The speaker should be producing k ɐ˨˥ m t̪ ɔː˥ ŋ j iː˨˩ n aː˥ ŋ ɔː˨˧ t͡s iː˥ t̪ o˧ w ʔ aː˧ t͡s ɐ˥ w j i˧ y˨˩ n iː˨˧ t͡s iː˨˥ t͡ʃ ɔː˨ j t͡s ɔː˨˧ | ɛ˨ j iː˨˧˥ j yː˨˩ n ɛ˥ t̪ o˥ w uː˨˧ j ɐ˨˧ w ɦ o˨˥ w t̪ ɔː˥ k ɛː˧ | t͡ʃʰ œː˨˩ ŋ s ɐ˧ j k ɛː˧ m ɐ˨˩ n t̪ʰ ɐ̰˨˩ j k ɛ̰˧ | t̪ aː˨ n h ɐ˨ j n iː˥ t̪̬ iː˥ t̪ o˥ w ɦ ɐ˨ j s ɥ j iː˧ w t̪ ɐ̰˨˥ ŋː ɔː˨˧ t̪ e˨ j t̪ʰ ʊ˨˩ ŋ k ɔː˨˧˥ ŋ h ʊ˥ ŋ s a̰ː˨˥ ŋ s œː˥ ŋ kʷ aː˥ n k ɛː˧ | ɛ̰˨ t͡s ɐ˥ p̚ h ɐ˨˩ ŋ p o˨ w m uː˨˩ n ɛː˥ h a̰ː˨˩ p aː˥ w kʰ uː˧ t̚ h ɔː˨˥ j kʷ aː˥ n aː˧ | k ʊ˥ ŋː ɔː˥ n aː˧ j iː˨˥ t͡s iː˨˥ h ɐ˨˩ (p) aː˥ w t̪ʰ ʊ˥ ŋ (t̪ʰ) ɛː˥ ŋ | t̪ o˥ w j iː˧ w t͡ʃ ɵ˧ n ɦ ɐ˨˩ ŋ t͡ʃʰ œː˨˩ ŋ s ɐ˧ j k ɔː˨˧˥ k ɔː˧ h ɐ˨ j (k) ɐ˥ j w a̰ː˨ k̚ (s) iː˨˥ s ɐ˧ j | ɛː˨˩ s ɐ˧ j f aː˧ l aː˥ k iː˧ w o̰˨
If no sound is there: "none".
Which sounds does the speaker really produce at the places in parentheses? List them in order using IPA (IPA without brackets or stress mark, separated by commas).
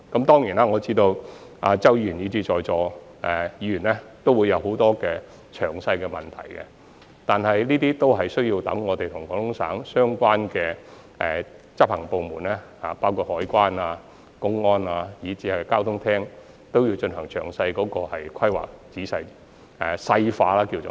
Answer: k, t̪ʰ, kʰ, t͡s